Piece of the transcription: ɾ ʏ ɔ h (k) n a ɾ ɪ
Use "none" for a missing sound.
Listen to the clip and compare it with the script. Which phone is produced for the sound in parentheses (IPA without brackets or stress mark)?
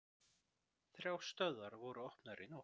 p